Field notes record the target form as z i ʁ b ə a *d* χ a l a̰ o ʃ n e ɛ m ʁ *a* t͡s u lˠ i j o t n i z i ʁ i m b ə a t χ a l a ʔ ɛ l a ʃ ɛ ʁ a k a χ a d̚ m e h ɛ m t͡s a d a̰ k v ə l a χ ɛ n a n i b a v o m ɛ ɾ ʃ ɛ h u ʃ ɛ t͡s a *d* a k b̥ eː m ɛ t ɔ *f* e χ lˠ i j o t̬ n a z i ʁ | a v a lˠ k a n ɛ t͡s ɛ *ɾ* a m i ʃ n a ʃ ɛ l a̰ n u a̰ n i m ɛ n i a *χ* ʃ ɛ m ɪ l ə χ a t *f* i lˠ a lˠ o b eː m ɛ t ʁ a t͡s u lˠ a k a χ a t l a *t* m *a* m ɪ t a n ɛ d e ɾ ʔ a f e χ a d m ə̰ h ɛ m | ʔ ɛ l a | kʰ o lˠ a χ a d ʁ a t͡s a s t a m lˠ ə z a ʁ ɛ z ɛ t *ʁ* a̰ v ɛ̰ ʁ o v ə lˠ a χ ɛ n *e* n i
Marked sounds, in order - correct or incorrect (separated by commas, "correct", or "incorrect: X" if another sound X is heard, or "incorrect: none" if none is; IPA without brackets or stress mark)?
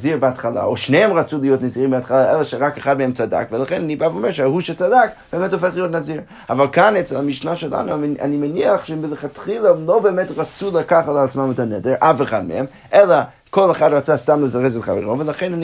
incorrect: t, correct, correct, correct, incorrect: l, correct, incorrect: χ, incorrect: t͡s, correct, incorrect: χ, incorrect: a